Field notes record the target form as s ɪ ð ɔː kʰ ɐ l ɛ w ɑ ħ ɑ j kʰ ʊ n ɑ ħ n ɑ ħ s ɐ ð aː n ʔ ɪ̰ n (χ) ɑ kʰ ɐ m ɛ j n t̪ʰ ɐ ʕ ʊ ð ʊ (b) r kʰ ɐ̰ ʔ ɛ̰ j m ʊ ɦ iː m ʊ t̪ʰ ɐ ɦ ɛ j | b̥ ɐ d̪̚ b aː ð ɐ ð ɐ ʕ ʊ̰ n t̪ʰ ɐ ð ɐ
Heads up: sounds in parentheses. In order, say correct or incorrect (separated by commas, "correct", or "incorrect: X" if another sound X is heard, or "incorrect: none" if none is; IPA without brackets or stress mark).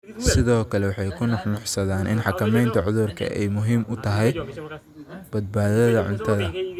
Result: incorrect: ħ, incorrect: none